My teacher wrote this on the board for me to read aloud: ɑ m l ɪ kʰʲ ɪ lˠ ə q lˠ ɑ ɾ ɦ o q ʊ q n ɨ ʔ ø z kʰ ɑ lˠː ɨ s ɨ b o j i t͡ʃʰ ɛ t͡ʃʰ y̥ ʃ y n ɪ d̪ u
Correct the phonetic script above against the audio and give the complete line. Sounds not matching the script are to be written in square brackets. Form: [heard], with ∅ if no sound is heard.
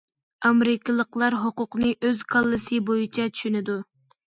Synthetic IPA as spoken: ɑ m [ɾ] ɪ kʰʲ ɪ lˠ ə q lˠ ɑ ɾ ɦ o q ʊ q n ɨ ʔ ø z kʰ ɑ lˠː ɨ s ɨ b o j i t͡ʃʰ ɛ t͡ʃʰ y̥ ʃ y n ɪ d̪ u